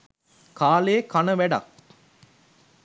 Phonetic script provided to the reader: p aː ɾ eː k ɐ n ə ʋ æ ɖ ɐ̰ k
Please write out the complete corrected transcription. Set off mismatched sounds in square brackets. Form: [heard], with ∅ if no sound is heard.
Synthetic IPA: [k] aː [l] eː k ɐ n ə ʋ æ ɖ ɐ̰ k